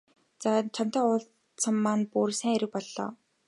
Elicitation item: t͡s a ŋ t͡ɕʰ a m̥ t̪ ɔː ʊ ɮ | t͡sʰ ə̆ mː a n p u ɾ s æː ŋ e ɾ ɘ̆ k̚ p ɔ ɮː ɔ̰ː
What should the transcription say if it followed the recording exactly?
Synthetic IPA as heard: t͡s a t͡ɕʰ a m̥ t̪ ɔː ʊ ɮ | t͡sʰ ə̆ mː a n p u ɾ s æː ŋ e ɾ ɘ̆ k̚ p ɔ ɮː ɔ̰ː